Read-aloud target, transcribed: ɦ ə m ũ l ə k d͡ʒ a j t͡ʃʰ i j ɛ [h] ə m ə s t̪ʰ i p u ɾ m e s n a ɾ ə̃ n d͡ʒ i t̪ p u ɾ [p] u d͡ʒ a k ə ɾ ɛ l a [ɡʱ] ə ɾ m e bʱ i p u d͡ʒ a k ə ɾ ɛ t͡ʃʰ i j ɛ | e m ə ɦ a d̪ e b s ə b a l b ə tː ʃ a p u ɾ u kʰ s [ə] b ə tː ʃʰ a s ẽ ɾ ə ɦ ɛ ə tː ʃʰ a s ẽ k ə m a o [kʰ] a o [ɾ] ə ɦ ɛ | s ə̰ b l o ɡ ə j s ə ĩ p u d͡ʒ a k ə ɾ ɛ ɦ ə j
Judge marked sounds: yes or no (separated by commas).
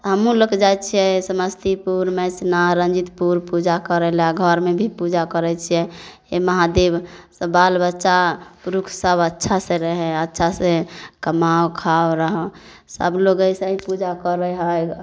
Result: no, yes, yes, yes, yes, yes